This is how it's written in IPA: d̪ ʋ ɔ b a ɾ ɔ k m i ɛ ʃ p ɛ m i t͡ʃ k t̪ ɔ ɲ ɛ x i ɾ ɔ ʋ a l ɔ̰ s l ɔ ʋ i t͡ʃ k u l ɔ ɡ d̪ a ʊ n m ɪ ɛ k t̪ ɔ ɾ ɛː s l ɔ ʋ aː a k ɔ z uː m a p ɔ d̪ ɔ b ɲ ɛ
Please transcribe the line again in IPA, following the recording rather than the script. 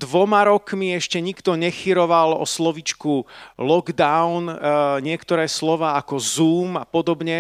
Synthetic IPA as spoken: d̪ ʋ ɔ m a ɾ ɔ k m i ɛ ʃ c ɛ ɲ i k t̪ ɔ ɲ ɛ x i ɾ ɔ ʋ a l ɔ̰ s l ɔ ʋ i t͡ʃ k u l ɔ ɡ d̪ a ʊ n ɲ ɪ ɛ k t̪ ɔ ɾ ɛː s l ɔ ʋ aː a k ɔ z uː m a p ɔ d̪ ɔ b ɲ ɛ